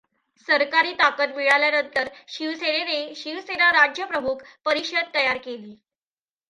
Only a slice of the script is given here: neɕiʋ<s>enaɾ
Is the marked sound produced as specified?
yes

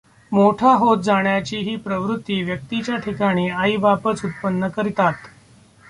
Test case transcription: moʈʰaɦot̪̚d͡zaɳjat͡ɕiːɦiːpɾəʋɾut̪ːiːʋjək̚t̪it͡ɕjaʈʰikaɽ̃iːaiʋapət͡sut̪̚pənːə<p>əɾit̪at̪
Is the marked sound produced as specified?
no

